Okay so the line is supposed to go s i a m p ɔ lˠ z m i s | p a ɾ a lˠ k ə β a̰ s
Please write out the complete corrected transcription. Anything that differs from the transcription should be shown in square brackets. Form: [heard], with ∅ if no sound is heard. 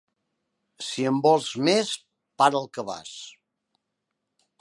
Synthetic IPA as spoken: s i [ə] m [b] ɔ lˠ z m [e] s | p a ɾ [ə] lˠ k ə β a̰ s